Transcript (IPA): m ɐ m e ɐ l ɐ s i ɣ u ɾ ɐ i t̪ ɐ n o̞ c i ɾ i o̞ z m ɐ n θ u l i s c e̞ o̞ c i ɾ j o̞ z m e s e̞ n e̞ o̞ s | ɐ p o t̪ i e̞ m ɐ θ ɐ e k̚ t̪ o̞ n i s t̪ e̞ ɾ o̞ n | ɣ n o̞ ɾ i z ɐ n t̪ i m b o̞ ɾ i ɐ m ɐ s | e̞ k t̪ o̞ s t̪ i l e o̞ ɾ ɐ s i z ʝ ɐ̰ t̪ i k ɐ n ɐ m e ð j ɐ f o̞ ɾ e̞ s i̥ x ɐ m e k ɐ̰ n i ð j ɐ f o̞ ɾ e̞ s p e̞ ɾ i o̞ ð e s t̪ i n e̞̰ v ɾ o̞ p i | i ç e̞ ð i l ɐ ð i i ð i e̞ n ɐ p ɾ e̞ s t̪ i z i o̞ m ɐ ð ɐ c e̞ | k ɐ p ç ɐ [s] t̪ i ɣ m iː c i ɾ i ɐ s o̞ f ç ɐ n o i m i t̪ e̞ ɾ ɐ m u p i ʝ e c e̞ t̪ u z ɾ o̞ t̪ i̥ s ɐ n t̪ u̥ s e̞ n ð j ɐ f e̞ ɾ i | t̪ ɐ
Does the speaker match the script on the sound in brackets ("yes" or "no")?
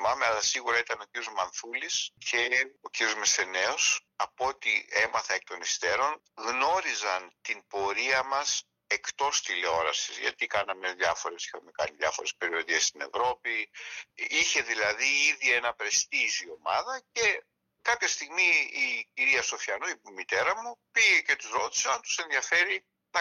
yes